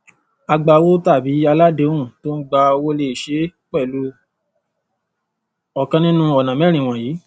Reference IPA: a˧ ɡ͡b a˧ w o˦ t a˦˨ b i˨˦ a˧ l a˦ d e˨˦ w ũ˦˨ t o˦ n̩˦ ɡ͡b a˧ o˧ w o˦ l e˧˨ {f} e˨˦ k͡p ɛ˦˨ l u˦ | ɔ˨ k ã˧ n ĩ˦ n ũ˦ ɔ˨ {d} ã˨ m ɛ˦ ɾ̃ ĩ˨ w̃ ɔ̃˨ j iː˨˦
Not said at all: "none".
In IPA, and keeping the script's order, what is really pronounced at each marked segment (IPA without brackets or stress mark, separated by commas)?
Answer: ʃ, n